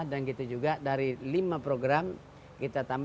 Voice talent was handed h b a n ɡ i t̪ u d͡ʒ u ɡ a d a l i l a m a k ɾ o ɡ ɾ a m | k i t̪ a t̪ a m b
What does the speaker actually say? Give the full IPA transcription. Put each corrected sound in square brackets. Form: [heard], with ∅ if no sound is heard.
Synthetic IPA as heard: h [d] a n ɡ i t̪ u d͡ʒ u ɡ a d a [ɾ] i l [i] m a [p] ɾ o ɡ ɾ a m | k i t̪ a t̪ a m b

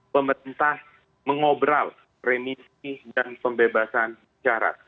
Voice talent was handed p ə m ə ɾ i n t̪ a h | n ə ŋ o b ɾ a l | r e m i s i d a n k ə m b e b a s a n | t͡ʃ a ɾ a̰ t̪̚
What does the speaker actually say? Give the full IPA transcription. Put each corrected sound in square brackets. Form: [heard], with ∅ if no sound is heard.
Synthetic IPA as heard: p ə m ə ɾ i n t̪ a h | [m] ə ŋ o b ɾ a l | r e m i s i d a n [p] ə m b e b a s a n | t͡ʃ a ɾ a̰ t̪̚

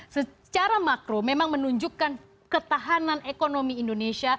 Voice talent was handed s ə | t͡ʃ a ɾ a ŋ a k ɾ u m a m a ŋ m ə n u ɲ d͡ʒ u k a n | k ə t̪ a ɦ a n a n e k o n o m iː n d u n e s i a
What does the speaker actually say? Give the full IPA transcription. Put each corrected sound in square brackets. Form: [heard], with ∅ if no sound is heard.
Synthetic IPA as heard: s ə | t͡ʃ a ɾ a [m] a k ɾ [o] m [e] m a ŋ m ə n u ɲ d͡ʒ u k a n | k ə t̪ a ɦ a n a n e k o n o m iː n d [o] n e s i a

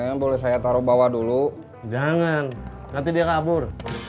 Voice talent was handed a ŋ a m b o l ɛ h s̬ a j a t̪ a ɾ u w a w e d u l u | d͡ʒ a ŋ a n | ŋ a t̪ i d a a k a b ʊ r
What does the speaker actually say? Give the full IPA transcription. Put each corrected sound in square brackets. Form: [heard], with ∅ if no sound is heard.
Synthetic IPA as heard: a ŋ a [n] b o l ɛ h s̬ a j a t̪ a ɾ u [b] a w [a] d u l u | d͡ʒ a ŋ a n | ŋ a t̪ i d [i] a k a b ʊ r

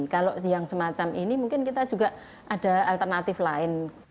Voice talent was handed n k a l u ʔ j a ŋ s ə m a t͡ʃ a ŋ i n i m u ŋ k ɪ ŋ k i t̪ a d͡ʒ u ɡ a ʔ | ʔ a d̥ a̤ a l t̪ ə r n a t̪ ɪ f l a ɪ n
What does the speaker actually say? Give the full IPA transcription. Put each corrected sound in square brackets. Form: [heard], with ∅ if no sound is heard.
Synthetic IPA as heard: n k a l [o] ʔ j a ŋ s ə m a t͡ʃ a [m] i n i m u ŋ k ɪ [n] k i t̪ a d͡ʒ u ɡ a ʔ | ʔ a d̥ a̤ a l t̪ ə r n a t̪ ɪ f l a ɪ n

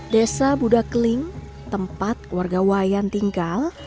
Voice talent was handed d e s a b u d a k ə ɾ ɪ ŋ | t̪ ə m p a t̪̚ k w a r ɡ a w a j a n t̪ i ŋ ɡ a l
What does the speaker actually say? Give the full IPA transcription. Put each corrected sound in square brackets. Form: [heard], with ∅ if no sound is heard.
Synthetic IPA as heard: d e s a b u d a k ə [l] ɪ ŋ | t̪ ə m p a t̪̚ k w a r ɡ a w a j a n t̪ i ŋ ɡ a l

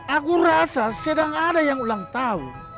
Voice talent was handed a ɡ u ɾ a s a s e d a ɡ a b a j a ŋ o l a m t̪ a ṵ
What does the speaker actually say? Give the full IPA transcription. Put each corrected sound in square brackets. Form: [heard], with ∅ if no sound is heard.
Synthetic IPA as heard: a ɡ u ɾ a s a s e d a [ŋ] a [d] a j a ŋ [u] l a [ŋ] t̪ a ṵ

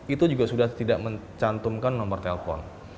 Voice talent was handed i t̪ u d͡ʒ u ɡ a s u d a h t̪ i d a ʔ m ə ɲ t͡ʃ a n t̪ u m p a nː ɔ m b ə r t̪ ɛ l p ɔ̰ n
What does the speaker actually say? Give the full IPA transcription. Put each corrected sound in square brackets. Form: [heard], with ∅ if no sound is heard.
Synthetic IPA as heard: i t̪ u d͡ʒ u ɡ a s u d a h t̪ i d a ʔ m ə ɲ t͡ʃ a n t̪ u m [k] a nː ɔ m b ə r t̪ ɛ l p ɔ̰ n

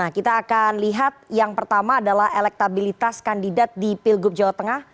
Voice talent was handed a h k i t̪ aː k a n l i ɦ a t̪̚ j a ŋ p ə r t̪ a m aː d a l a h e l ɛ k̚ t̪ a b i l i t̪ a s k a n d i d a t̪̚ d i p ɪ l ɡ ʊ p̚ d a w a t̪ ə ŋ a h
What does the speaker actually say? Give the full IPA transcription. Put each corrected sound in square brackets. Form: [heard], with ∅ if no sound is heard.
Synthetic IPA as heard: a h k i t̪ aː k a n l i ɦ a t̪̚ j a ŋ p ə r t̪ a m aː d a l a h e l ɛ k̚ t̪ a b i l i t̪ a s k a n d i d a t̪̚ d i p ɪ l ɡ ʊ p̚ [d͡ʒ] a w a t̪ ə ŋ a h

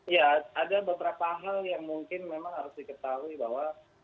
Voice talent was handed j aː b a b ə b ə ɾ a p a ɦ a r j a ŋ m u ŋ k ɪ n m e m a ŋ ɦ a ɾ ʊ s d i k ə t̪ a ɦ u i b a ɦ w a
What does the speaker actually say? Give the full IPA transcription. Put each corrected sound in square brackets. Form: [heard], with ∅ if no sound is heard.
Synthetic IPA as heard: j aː [d] a b ə b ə ɾ a p a ɦ a [l] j a ŋ m u ŋ k ɪ n m e m a ŋ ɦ a ɾ ʊ s d i k ə t̪ a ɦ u i b a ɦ w a

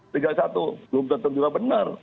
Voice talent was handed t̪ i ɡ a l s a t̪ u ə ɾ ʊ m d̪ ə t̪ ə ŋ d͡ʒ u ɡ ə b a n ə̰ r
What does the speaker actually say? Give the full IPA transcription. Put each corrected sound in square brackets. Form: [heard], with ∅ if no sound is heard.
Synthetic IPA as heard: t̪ i ɡ a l s a t̪ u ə [l] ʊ m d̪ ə t̪ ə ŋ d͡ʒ u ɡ [a] b [ə] n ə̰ r

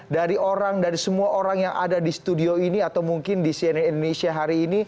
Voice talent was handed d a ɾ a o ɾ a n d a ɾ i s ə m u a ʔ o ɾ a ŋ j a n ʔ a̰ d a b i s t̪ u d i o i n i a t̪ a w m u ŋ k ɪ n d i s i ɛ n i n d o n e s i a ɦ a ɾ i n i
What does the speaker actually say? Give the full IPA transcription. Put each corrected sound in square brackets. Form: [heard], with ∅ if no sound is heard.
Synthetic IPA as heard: d a ɾ [i] o ɾ a [ŋ] d a ɾ i s ə m u a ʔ o ɾ a ŋ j a [ŋ] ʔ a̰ d a [d] i s t̪ u d i o i n i a t̪ a w m u ŋ k ɪ n d i s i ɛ n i n d o n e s i a ɦ a ɾ [iː] n i

